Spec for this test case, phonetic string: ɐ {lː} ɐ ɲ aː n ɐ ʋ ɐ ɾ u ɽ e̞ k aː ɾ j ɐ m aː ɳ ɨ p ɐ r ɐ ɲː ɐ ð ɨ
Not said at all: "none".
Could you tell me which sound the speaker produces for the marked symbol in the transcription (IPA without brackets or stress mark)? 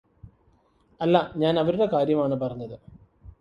lː